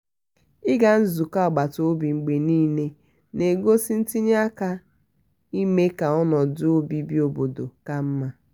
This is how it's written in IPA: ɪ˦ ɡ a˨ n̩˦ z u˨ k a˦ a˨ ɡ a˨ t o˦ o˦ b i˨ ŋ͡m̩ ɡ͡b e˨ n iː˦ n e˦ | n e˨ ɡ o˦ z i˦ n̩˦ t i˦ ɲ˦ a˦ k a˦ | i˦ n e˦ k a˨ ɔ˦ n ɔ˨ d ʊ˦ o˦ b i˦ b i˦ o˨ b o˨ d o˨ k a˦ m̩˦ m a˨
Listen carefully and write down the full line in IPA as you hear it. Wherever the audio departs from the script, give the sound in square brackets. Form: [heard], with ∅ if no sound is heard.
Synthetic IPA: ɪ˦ ɡ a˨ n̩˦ z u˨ k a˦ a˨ [ɡ͡b] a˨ t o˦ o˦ b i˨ ŋ͡m̩ ɡ͡b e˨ n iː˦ n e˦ | n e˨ ɡ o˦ [s] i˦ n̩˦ t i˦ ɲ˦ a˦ k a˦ | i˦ [m] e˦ k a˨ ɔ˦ n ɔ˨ d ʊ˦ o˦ b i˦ b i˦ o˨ b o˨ d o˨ k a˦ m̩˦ m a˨